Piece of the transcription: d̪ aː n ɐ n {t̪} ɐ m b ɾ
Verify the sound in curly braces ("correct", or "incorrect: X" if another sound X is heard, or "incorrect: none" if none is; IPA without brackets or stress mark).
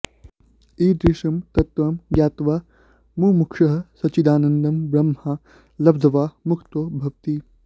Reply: incorrect: d̪